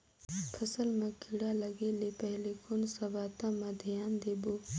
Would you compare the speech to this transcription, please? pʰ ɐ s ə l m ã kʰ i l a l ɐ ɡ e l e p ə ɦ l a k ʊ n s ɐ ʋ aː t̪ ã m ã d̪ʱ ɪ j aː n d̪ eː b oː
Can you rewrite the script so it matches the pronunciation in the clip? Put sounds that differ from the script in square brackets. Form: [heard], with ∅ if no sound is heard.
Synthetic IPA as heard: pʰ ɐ s ə l m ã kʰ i [ɽ] a l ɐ ɡ e l e p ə ɦ l [e] k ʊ n s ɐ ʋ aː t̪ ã m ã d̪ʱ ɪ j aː n d̪ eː b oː